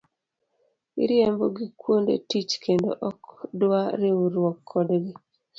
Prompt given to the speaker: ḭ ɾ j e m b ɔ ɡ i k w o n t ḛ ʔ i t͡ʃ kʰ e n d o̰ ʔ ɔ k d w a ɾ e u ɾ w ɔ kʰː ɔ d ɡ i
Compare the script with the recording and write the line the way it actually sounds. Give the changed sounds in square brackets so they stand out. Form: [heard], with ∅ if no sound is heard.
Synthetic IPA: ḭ ɾ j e m b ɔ ɡ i k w o n [d] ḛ [t] i t͡ʃ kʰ e n d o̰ ʔ ɔ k d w a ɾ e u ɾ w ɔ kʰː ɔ d ɡ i